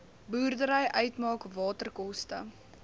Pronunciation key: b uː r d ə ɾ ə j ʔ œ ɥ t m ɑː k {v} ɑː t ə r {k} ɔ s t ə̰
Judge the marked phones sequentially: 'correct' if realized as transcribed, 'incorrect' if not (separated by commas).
correct, correct